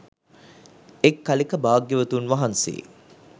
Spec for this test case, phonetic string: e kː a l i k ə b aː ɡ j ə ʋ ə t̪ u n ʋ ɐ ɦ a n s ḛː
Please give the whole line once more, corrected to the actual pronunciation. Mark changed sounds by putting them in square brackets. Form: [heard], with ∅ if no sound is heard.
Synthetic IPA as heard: e kː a l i k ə b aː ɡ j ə ʋ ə t̪ u n ʋ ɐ ɦ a n s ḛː